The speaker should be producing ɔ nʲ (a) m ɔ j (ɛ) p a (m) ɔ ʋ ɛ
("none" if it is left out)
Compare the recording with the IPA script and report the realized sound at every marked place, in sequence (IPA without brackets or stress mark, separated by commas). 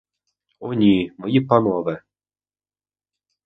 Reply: i, i, n